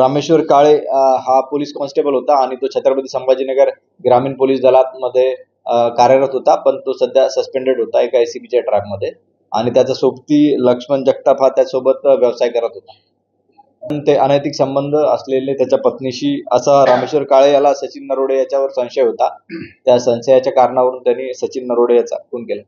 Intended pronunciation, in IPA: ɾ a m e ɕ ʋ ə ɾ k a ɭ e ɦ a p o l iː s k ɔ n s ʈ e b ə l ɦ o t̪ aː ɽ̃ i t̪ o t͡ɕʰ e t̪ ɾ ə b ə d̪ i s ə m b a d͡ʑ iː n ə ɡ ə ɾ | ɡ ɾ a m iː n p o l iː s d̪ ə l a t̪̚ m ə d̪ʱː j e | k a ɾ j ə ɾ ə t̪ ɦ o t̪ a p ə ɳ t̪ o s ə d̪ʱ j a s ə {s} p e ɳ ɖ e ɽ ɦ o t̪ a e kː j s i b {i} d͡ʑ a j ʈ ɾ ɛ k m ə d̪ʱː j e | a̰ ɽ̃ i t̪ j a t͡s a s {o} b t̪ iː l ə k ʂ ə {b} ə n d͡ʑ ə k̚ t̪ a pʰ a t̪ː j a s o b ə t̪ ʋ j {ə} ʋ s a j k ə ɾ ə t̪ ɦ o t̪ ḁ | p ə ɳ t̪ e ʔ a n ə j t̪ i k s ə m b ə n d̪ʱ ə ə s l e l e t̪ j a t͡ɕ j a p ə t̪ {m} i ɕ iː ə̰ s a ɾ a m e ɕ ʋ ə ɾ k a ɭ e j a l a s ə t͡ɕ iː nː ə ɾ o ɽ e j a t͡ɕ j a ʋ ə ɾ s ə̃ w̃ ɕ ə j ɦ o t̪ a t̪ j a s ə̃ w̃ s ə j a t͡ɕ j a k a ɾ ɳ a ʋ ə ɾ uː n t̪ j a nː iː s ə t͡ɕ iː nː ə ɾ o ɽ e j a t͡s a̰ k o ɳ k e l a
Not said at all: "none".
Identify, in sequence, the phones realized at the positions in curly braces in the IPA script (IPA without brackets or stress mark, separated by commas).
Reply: s, i, o, m, ə, n